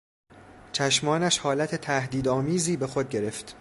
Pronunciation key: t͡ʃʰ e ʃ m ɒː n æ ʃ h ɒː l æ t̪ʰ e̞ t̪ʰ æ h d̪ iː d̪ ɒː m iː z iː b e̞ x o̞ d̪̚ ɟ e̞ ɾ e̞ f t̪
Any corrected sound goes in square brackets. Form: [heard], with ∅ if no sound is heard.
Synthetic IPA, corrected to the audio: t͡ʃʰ [æ] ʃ m ɒː n æ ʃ h ɒː l æ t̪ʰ e̞ t̪ʰ æ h d̪ iː d̪ ɒː m iː z iː b e̞ x o̞ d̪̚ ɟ e̞ ɾ e̞ f t̪